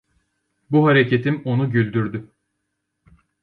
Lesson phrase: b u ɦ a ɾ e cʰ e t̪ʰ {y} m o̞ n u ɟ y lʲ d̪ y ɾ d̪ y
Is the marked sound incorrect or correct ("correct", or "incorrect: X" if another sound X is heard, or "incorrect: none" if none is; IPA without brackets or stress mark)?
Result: incorrect: i